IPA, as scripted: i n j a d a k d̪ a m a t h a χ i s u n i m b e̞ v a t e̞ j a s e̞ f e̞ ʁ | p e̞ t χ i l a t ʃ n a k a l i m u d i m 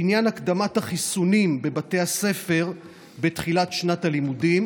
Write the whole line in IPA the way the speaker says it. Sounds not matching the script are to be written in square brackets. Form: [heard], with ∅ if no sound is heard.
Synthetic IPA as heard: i n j a [n] a k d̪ a m a t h a χ i s u n i m b e̞ [b] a t e̞ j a s e̞ f e̞ ʁ | [b] e̞ t χ i l a t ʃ n a [t] a l i m u d i m